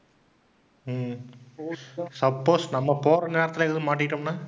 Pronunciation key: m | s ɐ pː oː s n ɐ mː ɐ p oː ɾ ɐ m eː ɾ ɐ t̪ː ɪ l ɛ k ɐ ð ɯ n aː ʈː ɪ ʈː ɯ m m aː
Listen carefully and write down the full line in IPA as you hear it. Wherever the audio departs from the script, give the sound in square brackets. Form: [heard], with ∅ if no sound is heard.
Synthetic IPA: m | s ɐ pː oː s n ɐ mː ɐ p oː ɾ ɐ [n] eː ɾ ɐ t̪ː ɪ l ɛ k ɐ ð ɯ [m] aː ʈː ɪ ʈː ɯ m [n] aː